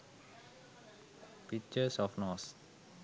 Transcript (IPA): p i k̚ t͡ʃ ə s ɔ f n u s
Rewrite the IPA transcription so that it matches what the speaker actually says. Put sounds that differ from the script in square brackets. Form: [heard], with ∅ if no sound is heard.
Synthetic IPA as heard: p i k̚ t͡ʃ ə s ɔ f n [ɔ] s